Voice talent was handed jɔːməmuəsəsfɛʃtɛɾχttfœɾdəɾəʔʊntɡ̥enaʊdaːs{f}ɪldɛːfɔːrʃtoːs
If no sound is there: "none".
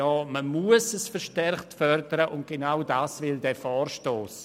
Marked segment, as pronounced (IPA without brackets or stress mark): v